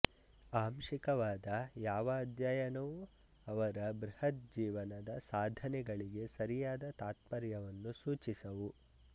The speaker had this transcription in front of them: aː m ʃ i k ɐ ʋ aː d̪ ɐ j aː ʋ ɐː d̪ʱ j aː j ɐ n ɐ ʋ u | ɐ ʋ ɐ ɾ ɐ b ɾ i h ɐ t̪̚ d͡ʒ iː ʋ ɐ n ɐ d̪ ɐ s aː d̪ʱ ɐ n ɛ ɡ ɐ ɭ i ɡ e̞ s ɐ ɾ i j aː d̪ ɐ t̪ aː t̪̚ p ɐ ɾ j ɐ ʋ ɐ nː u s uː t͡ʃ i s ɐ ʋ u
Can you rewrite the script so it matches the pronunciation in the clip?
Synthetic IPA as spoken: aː m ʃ i k ɐ ʋ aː d̪ ɐ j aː ʋ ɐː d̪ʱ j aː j ɐ n ɐ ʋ u | ɐ ʋ ɐ ɾ ɐ b ɾ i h ɐ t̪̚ d͡ʒ iː ʋ ɐ n ɐ d̪ ɐ s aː d̪ʱ ɐ n ɛ ɡ ɐ ɭ i ɡ e̞ s ɐ ɾ i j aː d̪ ɐ t̪ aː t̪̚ p ɐ ɾ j ɐ ʋ ɐ nː u s uː t͡ʃ i s ɐ ʋ u